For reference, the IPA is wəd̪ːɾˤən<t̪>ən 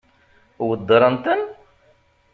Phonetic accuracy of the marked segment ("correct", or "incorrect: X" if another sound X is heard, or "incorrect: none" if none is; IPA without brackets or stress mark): correct